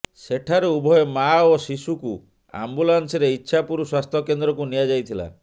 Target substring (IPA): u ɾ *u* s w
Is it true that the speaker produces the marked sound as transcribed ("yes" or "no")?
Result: yes